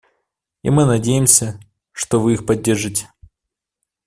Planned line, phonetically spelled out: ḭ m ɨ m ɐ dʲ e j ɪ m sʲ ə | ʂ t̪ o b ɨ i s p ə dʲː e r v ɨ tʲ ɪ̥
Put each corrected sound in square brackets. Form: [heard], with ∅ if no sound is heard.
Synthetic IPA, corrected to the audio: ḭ m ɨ [n] ɐ dʲ e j ɪ m sʲ ə | ʂ t̪ o [v] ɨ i [x] p [ɐ] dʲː e r [ʐ] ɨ tʲ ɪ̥